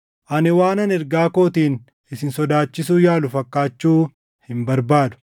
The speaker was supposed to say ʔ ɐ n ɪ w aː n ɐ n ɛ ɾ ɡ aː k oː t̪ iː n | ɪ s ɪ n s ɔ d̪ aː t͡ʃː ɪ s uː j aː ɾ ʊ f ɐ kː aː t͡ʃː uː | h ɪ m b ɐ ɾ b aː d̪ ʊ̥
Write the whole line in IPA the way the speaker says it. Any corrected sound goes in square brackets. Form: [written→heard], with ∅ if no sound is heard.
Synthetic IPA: ʔ ɐ n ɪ w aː n ɐ n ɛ ɾ ɡ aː k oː t̪ iː n | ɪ s ɪ n s ɔ d̪ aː t͡ʃː ɪ s uː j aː [ɾ→l] ʊ f ɐ kː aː t͡ʃː uː | h ɪ m b ɐ ɾ b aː d̪ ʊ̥